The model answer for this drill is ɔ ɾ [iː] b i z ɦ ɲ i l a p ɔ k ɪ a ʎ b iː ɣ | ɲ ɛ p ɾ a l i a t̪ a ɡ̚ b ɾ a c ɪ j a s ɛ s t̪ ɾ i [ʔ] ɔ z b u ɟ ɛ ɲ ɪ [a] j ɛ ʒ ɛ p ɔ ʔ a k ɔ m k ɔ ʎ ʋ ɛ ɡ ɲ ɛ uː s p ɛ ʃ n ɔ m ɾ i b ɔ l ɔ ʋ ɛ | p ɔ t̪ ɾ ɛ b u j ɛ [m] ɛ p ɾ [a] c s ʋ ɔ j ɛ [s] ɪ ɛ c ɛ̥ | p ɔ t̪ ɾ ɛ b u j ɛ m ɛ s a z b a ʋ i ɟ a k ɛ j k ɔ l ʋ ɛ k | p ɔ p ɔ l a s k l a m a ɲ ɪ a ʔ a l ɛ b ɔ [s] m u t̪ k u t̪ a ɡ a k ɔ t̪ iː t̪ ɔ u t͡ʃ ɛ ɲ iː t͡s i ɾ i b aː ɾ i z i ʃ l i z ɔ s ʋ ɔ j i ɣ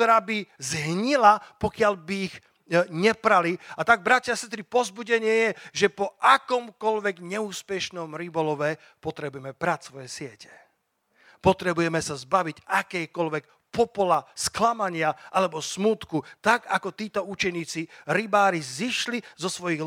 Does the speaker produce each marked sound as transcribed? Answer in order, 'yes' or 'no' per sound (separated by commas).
no, no, no, yes, yes, yes, yes